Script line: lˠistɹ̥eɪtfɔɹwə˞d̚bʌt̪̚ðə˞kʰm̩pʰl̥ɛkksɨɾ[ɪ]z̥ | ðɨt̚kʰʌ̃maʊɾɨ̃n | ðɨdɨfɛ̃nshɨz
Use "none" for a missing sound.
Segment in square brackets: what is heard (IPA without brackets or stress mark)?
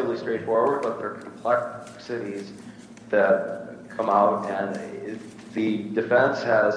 i